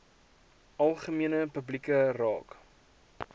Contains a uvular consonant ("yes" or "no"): yes